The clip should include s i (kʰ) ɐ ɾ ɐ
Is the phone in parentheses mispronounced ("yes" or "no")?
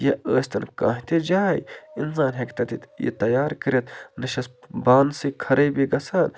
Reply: no